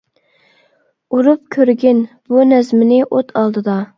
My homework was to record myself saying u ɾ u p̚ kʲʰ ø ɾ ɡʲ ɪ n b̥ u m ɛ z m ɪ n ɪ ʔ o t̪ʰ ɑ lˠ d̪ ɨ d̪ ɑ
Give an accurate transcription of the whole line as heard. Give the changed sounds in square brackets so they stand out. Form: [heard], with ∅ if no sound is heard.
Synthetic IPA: u ɾ u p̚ kʲʰ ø ɾ ɡʲ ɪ n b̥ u [n] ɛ z m ɪ n ɪ ʔ o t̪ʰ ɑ lˠ d̪ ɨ d̪ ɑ